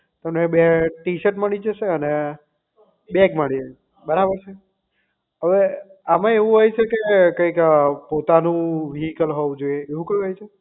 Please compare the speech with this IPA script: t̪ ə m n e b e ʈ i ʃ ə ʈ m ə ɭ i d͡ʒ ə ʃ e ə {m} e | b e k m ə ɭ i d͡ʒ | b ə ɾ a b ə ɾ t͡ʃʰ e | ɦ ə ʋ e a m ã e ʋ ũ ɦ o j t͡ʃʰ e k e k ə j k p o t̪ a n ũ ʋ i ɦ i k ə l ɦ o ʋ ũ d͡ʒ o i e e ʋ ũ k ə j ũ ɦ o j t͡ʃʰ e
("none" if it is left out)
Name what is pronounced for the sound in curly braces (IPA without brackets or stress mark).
n